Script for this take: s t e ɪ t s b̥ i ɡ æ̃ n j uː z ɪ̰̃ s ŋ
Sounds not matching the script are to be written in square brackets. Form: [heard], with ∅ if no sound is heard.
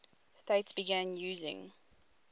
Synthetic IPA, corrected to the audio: s t e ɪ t s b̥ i ɡ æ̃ n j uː z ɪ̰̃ [∅] ŋ